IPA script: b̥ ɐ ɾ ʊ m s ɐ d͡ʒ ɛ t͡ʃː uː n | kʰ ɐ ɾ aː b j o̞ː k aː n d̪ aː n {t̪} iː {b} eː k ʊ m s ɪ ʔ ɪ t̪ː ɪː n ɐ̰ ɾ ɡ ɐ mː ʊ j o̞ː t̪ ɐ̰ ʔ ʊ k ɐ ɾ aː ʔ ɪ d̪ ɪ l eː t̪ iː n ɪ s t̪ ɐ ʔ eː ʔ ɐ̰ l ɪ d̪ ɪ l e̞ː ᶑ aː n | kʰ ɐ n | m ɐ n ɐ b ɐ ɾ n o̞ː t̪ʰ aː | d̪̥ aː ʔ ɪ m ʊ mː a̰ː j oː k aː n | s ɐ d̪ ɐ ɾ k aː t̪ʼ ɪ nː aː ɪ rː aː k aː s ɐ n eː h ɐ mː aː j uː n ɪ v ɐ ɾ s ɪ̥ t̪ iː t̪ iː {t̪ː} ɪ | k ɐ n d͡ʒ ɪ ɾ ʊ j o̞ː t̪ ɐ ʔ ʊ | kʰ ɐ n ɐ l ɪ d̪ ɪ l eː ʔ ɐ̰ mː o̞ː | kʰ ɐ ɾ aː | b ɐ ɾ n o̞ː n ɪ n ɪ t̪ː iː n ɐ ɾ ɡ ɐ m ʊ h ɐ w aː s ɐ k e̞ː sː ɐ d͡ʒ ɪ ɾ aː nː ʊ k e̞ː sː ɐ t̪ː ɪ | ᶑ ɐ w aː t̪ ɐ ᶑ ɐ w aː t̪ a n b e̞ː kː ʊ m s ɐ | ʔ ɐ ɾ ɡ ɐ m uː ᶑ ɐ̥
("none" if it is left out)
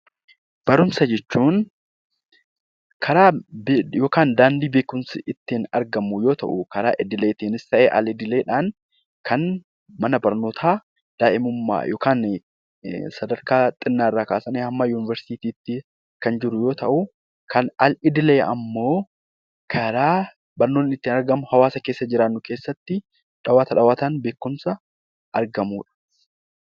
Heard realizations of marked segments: d̪, b, t̪ː

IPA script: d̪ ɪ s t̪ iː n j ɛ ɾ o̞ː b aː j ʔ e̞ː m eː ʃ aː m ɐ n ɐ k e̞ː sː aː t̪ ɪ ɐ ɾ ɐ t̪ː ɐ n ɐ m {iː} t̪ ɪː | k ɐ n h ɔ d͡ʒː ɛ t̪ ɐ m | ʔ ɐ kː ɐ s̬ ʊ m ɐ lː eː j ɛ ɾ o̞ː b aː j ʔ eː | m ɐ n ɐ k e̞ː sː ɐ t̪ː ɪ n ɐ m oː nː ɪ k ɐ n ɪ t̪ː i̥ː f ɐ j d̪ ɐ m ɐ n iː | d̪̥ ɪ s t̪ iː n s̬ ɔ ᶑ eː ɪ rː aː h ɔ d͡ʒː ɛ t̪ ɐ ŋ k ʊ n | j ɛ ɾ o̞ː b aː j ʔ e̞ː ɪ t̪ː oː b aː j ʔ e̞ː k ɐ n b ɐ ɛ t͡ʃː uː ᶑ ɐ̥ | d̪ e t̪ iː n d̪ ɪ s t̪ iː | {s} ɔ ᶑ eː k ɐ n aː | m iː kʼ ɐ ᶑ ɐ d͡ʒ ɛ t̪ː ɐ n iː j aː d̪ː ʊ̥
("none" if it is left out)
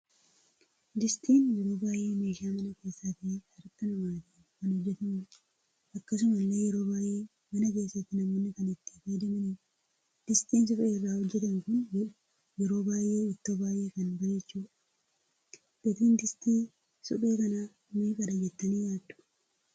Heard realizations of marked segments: aː, s

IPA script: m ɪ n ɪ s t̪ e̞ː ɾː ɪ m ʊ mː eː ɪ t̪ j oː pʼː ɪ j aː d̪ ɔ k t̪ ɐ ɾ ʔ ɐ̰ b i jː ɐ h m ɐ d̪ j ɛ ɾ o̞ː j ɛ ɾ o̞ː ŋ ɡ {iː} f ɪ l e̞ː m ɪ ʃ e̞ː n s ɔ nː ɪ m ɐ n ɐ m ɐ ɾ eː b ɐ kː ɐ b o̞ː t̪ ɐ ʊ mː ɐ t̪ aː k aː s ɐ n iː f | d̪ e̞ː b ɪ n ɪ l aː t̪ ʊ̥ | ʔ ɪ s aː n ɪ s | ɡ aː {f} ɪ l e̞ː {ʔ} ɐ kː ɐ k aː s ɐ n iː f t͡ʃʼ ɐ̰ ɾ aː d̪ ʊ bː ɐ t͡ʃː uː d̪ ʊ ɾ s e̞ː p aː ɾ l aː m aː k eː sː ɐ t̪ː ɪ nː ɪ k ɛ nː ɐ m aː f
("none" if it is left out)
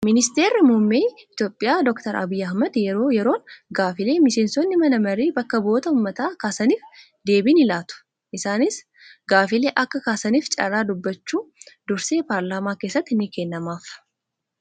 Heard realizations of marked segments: aː, f, ʔ

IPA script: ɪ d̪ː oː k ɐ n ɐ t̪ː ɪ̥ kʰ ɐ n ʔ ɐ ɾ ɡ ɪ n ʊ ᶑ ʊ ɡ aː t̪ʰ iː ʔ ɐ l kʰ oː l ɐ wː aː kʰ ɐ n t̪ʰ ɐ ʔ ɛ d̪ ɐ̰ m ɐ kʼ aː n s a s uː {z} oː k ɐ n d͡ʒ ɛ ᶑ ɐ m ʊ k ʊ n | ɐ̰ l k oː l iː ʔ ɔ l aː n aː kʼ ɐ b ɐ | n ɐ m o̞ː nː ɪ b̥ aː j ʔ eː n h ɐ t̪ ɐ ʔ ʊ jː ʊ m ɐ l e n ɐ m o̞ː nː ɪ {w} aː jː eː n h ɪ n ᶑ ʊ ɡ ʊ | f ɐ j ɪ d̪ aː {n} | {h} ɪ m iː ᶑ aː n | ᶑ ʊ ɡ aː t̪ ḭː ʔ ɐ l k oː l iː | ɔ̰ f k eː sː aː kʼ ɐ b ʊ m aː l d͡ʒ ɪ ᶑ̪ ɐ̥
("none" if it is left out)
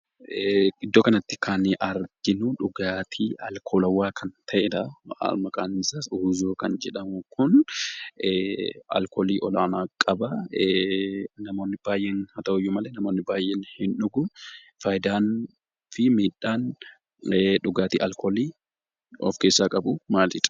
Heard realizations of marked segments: z, b, n, f

